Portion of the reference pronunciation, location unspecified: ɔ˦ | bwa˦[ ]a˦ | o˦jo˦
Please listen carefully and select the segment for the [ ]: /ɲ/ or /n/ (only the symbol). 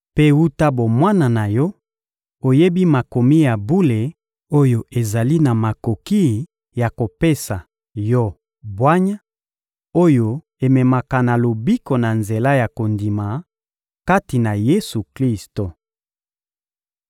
ɲ